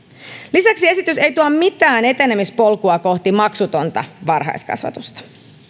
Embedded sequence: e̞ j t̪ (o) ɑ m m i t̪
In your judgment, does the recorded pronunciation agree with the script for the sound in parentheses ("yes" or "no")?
no